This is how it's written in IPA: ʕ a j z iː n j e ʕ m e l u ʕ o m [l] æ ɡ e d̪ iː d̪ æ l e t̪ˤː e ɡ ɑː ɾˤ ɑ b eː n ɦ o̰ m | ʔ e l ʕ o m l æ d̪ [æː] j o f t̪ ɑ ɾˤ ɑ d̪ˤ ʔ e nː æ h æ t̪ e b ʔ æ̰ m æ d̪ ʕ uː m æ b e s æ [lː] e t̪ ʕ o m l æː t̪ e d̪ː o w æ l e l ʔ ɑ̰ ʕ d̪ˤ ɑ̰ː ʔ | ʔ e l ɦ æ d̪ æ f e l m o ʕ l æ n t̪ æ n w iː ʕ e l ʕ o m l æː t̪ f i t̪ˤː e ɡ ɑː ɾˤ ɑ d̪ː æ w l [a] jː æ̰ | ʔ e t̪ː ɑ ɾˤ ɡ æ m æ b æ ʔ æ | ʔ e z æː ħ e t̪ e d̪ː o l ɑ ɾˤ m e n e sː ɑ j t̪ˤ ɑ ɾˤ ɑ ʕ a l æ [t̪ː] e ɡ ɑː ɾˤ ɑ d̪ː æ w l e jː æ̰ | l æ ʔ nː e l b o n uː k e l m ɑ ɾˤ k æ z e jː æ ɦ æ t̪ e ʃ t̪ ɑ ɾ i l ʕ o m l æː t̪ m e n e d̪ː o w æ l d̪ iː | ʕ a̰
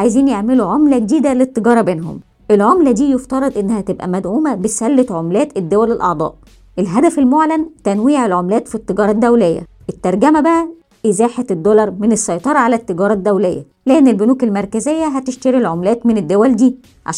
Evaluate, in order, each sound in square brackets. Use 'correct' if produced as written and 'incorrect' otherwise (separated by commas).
correct, incorrect, correct, incorrect, correct